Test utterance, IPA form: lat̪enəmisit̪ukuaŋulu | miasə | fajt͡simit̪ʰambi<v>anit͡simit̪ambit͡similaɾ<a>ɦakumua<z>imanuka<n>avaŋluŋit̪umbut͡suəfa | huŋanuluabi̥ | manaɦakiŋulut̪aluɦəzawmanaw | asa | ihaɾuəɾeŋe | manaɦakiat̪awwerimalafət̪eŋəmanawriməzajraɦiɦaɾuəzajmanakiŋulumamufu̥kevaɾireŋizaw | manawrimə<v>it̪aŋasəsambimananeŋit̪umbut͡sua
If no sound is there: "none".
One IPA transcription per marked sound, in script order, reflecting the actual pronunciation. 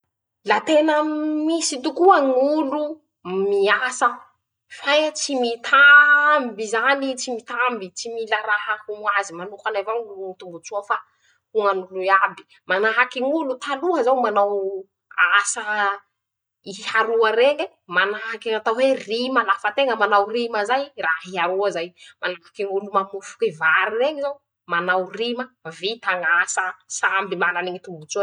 z, a, z, n, v

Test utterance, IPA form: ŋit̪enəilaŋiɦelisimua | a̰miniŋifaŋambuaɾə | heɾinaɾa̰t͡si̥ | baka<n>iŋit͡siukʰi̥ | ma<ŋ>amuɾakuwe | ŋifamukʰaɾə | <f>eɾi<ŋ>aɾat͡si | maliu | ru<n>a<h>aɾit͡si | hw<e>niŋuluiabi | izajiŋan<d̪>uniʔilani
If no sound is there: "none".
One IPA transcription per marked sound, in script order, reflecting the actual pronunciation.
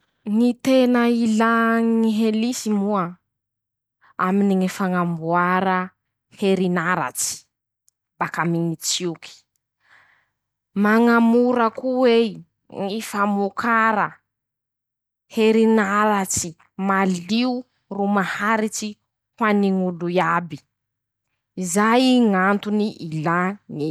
m, ŋ, h, n, m, h, a, t̪

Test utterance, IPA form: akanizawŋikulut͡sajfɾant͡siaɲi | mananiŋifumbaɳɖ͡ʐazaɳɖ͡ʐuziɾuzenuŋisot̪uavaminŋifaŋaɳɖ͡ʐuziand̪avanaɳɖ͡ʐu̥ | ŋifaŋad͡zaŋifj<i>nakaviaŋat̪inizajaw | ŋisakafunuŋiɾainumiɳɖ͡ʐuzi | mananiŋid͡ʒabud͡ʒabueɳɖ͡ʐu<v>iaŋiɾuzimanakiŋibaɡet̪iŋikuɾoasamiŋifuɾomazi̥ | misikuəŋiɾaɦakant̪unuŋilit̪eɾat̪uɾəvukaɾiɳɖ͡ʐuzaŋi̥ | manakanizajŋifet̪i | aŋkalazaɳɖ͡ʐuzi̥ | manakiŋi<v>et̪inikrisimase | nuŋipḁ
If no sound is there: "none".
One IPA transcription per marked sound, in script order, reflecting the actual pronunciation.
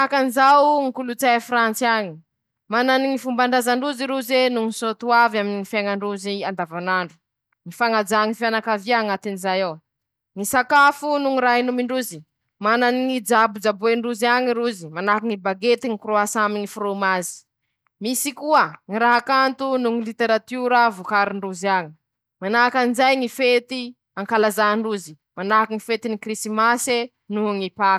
a, z, f

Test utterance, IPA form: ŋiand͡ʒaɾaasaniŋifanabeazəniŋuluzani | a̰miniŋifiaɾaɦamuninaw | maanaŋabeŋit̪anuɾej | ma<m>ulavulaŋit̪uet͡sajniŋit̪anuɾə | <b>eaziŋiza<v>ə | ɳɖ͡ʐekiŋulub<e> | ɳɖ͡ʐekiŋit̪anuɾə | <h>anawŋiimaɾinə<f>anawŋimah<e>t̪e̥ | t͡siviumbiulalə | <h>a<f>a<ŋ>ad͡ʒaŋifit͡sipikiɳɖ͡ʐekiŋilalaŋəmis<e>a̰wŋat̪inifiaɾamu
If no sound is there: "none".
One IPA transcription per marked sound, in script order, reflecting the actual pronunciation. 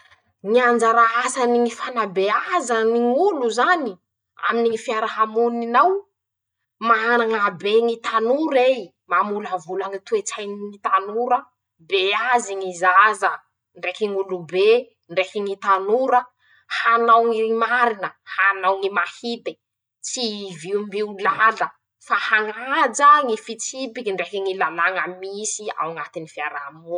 m, b, z, e, h, h, i, f, h, ŋ, i

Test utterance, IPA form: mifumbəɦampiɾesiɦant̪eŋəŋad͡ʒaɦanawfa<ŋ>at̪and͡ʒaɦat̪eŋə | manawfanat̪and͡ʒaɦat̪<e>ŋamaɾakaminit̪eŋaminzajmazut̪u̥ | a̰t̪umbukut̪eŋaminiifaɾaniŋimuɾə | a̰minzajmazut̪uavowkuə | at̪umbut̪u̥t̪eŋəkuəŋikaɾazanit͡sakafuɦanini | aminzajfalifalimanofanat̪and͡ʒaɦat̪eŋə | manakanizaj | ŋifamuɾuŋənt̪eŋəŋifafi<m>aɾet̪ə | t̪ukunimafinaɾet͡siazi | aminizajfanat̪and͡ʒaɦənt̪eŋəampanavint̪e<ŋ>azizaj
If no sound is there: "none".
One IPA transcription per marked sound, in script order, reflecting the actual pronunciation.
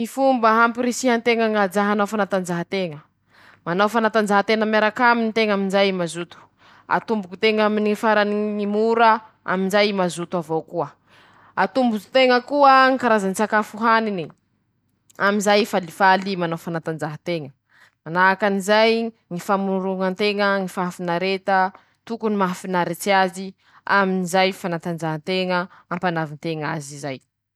n, e, n, ŋ

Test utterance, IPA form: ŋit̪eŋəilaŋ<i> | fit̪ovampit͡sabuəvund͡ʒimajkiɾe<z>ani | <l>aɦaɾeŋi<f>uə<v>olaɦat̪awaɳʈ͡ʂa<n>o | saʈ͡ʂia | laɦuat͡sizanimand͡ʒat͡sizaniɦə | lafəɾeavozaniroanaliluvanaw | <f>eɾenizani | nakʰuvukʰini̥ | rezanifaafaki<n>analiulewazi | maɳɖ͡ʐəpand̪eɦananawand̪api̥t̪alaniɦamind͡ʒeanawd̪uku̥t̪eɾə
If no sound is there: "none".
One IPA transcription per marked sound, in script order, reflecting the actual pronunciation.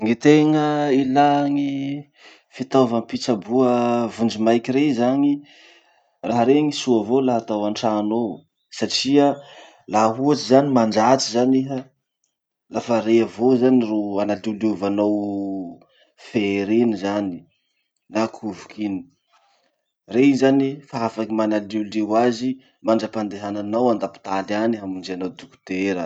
i, z, r, s, v, n, f, m

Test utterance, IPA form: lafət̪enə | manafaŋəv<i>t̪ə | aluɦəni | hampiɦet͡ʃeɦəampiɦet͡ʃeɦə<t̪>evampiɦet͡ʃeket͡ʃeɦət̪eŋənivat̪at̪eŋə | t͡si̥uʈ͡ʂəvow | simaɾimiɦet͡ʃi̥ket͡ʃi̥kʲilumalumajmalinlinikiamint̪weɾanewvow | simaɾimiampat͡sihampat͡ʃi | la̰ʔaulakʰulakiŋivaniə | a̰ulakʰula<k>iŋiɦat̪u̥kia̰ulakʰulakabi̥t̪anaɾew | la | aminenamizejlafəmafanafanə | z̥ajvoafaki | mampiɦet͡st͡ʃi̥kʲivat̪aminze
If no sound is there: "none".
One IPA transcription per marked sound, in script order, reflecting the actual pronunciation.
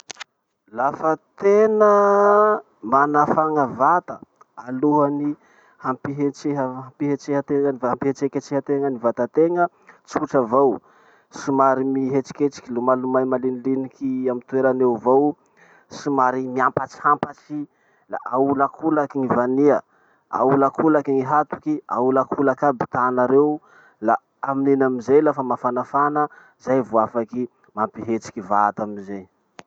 a, t̪, k

